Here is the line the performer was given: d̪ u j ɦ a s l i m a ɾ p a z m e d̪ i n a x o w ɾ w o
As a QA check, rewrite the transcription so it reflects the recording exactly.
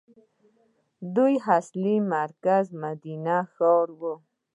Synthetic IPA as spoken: d̪ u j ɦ a s l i m a ɾ k a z m a d̪ i n a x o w ɾ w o